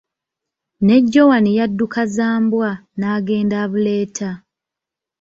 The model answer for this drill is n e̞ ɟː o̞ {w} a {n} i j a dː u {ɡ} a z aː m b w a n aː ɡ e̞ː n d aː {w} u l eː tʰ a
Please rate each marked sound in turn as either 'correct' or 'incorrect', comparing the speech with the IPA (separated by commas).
correct, correct, incorrect, incorrect